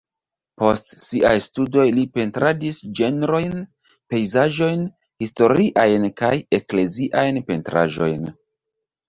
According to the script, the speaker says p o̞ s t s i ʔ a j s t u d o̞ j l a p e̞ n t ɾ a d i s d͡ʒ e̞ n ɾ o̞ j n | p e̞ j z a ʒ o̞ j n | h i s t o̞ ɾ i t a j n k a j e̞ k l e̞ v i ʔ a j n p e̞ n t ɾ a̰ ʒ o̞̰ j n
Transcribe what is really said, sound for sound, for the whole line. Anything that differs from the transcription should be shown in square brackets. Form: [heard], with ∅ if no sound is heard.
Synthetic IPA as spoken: p o̞ s t s i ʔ a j s t u d o̞ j l [i] p e̞ n t ɾ a d i s d͡ʒ e̞ n ɾ o̞ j n | p e̞ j z a ʒ o̞ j n | h i s t o̞ ɾ i [ʔ] a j n k a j e̞ k l e̞ [z] i ʔ a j n p e̞ n t ɾ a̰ ʒ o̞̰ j n